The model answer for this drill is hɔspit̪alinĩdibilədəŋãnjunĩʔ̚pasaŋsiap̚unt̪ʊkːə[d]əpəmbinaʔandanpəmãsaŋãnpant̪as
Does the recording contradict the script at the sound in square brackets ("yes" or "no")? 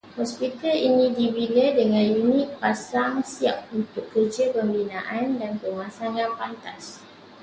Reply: yes